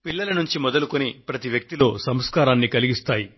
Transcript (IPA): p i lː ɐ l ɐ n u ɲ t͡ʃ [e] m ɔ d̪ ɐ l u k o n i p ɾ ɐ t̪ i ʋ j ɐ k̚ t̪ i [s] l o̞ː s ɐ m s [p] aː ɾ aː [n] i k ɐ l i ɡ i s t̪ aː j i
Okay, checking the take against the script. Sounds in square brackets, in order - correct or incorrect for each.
incorrect, incorrect, incorrect, incorrect

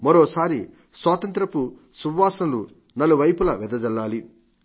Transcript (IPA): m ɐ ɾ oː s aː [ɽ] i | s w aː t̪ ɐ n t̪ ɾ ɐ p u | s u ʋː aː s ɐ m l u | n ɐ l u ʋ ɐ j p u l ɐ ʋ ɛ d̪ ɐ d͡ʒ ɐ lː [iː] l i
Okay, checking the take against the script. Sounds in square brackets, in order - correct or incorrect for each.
incorrect, incorrect

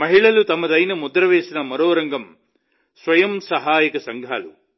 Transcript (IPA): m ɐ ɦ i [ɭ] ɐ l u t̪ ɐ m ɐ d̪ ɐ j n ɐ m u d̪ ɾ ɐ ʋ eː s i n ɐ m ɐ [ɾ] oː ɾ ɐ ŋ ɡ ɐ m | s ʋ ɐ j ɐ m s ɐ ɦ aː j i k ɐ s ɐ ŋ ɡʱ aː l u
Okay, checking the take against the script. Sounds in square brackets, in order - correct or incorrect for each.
correct, correct

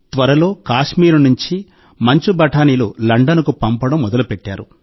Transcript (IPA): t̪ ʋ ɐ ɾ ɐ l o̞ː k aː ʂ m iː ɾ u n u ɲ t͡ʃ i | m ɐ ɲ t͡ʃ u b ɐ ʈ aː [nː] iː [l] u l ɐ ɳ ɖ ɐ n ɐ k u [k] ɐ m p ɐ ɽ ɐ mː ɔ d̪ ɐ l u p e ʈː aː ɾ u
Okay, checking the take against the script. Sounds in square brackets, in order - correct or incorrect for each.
incorrect, correct, incorrect

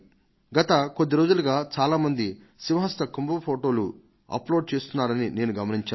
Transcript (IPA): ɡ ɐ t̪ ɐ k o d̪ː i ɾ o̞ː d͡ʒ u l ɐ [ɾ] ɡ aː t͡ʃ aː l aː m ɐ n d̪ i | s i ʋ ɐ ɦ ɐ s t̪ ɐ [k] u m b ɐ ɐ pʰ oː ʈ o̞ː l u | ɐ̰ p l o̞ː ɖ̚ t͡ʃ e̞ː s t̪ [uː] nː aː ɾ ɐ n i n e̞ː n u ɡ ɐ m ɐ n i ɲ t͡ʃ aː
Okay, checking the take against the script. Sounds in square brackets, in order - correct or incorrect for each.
incorrect, correct, incorrect

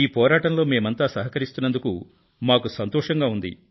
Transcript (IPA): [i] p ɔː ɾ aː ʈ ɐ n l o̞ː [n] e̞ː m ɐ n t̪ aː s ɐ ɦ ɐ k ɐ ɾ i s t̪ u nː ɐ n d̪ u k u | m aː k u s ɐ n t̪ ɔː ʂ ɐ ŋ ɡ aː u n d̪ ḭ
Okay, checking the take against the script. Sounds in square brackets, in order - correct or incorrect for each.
incorrect, incorrect

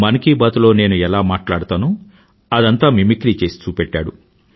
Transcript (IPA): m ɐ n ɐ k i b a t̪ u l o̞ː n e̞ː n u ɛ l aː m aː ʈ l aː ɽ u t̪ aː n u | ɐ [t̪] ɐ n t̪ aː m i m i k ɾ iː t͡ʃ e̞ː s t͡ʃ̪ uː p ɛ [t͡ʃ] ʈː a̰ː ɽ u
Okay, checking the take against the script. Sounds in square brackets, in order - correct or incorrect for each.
incorrect, incorrect

